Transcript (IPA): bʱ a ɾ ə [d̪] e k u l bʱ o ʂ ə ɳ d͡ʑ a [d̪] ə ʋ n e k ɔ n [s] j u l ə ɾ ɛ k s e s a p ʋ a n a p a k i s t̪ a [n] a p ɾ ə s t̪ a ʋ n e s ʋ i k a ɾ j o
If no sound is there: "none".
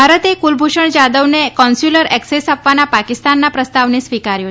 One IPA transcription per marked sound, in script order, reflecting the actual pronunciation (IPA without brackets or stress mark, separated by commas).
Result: t̪, d̪, s, nː